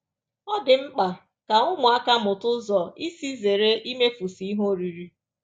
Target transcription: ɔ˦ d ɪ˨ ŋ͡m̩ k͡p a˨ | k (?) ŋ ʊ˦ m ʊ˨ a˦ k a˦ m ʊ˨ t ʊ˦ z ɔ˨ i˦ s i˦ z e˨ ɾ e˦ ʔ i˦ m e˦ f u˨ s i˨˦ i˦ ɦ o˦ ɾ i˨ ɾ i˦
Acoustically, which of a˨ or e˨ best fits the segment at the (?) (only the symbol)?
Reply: a˨